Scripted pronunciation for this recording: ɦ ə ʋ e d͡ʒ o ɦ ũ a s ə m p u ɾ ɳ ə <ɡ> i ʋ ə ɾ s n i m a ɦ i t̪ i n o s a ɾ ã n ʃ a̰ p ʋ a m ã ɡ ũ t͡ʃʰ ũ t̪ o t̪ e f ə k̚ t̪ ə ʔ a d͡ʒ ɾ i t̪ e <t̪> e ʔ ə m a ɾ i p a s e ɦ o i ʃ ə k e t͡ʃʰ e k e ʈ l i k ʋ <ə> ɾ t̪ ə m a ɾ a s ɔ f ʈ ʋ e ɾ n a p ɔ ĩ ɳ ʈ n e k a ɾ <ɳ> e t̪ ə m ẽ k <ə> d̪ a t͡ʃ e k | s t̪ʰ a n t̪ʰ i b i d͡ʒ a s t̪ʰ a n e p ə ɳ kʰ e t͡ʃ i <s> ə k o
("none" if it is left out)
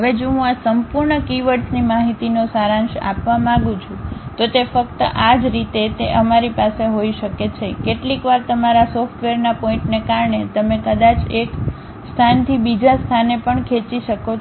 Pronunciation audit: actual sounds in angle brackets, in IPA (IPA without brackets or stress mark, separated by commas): k, t̪, a, ɳ, ə, ʃ